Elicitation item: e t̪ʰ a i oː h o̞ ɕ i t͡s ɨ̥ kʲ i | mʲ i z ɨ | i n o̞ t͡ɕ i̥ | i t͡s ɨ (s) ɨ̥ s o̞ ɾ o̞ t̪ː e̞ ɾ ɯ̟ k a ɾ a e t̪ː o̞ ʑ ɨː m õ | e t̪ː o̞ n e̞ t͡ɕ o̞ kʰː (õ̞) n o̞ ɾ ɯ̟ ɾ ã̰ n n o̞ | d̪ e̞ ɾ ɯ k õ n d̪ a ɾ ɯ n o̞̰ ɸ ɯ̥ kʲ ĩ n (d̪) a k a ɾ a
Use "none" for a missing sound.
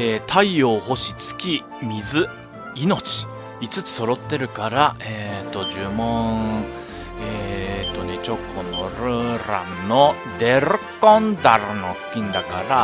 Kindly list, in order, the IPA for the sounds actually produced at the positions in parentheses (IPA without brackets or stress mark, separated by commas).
t͡s, o̞, d̪